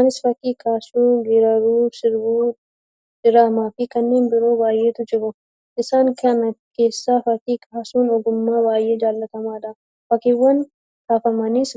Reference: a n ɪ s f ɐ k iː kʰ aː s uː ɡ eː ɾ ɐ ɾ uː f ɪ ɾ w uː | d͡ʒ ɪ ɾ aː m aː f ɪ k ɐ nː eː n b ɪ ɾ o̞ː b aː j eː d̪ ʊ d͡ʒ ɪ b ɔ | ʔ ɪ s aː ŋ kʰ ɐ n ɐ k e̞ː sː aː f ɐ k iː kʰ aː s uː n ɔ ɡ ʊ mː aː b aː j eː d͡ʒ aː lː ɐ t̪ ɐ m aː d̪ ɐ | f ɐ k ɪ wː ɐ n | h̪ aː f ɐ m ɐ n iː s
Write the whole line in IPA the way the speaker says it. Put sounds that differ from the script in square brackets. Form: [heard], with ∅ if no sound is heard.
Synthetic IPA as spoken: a n ɪ s f ɐ k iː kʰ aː s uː ɡ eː ɾ ɐ ɾ uː [s] ɪ ɾ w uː | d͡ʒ ɪ ɾ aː m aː f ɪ k ɐ nː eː n b ɪ ɾ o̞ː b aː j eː [t̪] ʊ d͡ʒ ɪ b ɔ | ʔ ɪ s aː ŋ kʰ ɐ n ɐ k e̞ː sː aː f ɐ k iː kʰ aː s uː n ɔ ɡ ʊ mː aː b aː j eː d͡ʒ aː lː ɐ t̪ ɐ m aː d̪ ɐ | f ɐ k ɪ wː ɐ n | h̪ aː f ɐ m ɐ n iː s